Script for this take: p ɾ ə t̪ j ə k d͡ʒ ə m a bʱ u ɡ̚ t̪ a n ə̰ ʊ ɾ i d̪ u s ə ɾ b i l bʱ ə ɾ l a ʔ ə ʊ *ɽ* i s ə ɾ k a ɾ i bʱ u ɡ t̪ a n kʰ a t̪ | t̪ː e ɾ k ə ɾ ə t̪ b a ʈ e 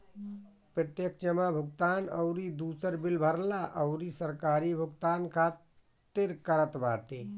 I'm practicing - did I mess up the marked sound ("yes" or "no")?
yes